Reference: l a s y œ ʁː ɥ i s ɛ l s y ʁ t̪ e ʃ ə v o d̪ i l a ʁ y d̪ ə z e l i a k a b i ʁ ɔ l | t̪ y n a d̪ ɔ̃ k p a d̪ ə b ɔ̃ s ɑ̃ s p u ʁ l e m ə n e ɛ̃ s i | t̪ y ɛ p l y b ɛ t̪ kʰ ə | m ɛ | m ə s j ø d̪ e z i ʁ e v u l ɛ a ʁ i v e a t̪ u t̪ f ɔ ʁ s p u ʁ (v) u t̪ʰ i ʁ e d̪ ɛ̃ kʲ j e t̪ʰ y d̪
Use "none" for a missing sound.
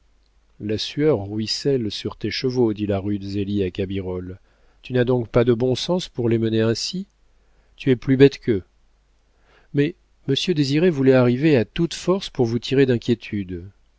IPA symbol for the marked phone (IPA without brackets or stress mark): v